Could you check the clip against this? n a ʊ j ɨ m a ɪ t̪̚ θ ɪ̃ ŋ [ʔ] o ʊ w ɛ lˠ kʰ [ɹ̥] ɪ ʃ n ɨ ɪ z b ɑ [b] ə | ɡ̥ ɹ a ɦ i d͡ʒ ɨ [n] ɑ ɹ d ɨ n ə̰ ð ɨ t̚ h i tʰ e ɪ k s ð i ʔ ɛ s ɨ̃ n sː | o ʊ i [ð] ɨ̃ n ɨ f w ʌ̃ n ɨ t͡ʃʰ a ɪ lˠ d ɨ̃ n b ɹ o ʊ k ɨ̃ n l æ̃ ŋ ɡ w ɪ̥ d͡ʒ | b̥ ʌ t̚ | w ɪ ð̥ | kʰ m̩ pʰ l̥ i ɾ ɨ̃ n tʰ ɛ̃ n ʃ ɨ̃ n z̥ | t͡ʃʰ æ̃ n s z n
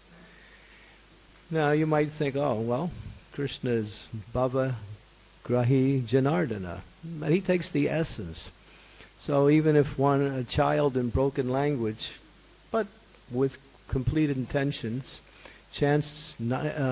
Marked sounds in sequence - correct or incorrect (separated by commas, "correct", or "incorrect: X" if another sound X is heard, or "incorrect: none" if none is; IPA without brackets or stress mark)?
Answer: incorrect: k, correct, incorrect: v, correct, incorrect: v